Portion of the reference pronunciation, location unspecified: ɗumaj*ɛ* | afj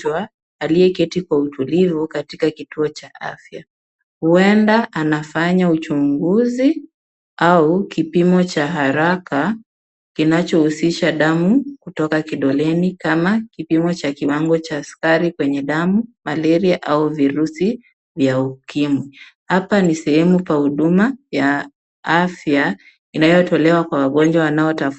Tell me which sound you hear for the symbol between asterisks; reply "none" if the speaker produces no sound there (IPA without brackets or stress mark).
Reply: a